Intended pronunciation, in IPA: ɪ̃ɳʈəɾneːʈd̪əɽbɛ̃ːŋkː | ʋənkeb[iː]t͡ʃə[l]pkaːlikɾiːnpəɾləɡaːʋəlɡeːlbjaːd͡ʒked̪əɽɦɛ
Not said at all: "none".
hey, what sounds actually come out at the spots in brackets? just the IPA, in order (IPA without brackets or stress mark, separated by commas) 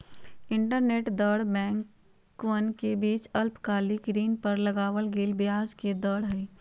iː, l